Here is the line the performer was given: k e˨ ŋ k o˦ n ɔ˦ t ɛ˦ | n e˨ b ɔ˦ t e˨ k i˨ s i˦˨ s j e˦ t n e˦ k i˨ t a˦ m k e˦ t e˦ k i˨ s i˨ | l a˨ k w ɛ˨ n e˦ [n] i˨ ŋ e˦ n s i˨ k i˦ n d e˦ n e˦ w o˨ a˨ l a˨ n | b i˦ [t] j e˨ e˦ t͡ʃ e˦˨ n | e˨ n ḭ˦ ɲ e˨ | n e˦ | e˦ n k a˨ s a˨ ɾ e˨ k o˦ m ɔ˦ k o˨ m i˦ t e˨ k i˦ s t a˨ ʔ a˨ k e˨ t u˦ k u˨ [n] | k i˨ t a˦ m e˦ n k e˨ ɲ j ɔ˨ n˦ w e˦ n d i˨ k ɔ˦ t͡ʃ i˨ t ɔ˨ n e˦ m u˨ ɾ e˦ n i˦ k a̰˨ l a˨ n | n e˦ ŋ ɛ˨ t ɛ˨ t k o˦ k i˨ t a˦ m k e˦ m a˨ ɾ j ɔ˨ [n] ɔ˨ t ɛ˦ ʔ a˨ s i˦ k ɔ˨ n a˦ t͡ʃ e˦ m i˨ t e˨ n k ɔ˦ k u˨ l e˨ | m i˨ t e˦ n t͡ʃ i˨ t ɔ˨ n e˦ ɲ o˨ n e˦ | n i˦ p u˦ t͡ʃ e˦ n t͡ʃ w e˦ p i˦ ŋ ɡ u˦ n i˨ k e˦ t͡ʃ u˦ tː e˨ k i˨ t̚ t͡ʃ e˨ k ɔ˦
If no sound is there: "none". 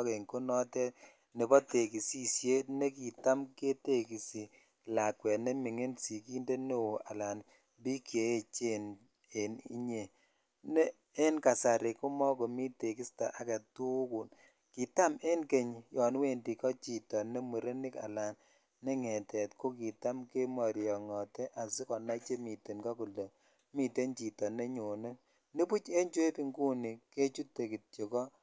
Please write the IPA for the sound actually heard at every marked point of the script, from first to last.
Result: m, k, n, ŋ

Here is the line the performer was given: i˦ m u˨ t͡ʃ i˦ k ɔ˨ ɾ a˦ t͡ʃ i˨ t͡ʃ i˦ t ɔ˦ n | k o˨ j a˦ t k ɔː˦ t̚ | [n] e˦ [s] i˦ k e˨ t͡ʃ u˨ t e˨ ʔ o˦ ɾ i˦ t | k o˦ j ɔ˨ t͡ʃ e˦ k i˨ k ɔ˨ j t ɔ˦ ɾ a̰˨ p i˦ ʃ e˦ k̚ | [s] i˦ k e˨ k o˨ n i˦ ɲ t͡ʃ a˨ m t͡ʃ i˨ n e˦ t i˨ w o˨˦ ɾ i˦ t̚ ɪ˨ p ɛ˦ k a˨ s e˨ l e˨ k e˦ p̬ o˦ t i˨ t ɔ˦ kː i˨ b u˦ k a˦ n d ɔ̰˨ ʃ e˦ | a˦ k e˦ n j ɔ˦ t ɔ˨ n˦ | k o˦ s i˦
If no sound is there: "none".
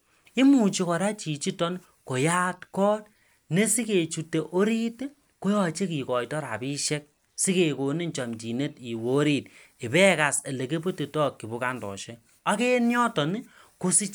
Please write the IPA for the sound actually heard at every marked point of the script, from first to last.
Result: n, s, s

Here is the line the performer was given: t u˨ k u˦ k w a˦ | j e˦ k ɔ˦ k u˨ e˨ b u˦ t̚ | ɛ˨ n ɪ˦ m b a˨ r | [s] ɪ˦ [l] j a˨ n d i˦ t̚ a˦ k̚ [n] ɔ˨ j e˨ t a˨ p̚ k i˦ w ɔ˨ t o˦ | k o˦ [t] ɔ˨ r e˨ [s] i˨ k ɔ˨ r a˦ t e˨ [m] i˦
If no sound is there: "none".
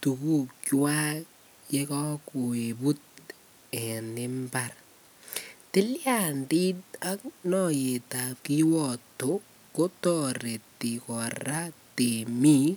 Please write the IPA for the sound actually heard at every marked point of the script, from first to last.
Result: t, l, n, t, t, m

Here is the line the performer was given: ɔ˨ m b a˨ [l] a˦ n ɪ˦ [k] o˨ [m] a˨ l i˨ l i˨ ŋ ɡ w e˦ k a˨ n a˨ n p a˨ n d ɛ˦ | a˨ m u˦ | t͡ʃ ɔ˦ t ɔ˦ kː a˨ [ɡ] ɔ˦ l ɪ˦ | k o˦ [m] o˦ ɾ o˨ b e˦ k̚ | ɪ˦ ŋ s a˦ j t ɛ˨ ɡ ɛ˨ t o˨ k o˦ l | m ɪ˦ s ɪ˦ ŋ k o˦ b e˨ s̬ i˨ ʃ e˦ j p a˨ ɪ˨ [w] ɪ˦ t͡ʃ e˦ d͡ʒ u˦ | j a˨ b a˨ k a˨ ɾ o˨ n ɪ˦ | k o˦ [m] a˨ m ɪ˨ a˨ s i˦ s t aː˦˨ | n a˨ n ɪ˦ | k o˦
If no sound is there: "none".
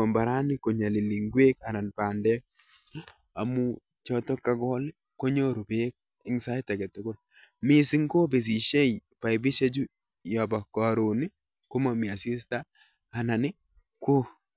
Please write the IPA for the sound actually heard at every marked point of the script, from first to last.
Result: ɾ, k, ɲ, ɡ, ɲ, b, m

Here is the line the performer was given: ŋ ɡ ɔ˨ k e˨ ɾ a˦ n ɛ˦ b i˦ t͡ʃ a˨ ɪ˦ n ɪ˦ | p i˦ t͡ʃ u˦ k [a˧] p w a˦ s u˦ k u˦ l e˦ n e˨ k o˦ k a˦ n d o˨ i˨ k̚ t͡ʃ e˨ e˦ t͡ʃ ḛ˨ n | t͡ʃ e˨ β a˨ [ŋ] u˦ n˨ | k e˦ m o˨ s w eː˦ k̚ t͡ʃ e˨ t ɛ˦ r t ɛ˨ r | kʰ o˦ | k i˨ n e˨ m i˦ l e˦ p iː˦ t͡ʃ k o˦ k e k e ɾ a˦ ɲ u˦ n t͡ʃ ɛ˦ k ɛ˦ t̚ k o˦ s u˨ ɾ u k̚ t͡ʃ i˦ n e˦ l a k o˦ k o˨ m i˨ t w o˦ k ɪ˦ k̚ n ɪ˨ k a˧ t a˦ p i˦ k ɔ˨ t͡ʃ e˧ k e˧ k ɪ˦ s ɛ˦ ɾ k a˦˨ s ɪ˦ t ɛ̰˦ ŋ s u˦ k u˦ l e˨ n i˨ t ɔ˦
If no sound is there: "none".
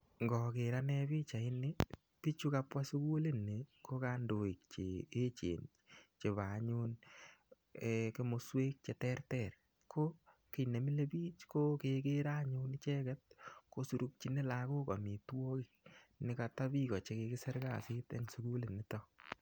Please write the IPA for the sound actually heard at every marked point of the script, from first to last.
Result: a˧, ɲ

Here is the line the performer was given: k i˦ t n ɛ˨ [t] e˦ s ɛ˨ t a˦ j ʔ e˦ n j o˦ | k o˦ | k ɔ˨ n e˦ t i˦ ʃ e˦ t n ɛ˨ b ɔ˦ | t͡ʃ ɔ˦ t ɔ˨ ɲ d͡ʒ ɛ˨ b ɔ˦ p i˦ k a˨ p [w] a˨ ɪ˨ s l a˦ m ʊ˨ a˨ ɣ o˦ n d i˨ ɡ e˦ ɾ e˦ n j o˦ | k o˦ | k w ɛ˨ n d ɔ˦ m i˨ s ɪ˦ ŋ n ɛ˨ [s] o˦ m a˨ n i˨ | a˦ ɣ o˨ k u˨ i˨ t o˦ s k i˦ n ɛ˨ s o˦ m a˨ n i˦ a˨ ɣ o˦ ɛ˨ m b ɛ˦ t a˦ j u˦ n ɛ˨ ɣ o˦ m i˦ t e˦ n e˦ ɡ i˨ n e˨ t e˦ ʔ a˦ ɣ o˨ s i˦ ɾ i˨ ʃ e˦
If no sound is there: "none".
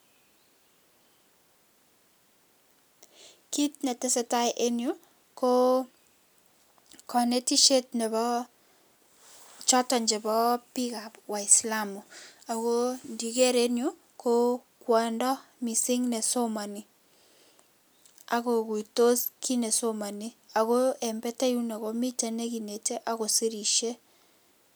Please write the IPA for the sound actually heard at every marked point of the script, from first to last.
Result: t, w, s

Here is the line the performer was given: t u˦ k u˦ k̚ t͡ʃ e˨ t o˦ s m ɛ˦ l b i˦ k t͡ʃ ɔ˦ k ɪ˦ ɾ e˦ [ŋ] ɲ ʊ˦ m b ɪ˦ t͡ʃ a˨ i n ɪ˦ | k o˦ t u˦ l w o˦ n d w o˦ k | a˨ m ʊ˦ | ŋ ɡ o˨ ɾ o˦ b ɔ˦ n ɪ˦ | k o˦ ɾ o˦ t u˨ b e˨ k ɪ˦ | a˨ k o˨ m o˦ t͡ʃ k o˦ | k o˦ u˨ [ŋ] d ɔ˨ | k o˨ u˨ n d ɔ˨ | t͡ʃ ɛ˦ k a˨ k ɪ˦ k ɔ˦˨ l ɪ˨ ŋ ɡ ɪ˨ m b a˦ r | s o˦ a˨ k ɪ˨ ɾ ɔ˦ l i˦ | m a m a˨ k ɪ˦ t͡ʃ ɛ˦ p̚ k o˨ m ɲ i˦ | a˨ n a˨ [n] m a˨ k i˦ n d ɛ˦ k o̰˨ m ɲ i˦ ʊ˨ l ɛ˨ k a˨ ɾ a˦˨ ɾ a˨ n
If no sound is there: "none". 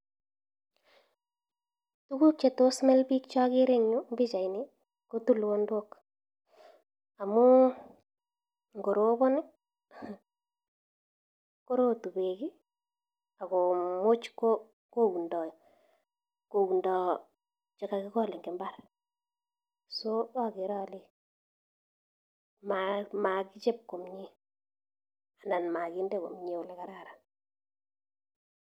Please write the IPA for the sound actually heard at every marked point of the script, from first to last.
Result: ŋ, n, n

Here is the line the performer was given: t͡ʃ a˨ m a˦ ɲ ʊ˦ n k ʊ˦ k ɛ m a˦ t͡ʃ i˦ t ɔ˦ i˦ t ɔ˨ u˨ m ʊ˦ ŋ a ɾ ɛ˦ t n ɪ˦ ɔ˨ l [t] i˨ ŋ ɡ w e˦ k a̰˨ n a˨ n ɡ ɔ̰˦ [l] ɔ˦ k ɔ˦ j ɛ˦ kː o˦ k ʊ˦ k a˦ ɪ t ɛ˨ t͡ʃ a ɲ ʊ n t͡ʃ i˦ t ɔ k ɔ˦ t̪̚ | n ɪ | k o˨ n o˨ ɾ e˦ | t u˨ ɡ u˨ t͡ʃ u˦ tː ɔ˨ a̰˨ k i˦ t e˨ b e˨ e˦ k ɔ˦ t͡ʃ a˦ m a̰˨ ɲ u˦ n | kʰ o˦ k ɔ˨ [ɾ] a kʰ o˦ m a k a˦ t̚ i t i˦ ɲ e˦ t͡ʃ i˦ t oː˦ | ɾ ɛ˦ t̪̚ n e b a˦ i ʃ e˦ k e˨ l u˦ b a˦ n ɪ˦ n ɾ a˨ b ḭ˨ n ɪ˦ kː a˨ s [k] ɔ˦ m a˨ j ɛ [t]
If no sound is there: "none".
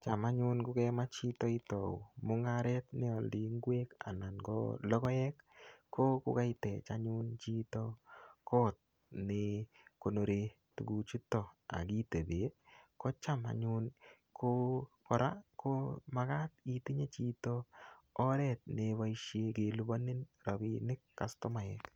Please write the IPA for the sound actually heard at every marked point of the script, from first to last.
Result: d, l, ɾ, t, k

